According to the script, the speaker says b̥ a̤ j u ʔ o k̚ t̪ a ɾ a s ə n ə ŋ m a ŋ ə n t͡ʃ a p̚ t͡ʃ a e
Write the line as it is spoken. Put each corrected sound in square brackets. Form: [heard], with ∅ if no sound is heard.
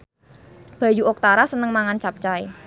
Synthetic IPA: b̥ a̤ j u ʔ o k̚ t̪ a ɾ a s ə n ə ŋ m a ŋ [a] n t͡ʃ a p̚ t͡ʃ a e